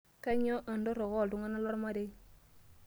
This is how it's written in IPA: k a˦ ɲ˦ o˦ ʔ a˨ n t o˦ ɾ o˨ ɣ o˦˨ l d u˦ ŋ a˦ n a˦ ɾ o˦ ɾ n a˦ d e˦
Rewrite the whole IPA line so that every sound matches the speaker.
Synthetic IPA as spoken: k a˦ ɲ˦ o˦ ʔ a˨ n d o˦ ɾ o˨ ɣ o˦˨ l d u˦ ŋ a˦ n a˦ l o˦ ɾ m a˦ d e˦